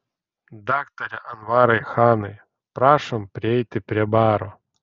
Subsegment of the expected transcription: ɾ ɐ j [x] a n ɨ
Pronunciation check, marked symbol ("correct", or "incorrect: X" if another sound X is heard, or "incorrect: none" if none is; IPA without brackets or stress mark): correct